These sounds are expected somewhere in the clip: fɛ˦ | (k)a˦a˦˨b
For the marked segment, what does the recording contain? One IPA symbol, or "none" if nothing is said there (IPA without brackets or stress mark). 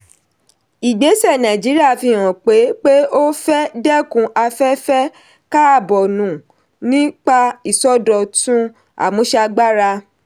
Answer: k